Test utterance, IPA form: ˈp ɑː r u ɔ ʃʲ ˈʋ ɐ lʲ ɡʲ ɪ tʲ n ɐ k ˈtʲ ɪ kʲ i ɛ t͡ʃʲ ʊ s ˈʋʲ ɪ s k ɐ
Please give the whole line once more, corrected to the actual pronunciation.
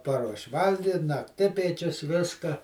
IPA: ˈp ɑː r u ɔ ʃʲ ˈʋ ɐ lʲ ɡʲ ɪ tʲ n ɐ k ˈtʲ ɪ pʲ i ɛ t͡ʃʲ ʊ s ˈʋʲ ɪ s k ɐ